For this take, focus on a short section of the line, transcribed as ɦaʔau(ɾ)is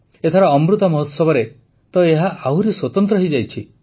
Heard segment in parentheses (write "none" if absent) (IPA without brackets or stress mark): ɾ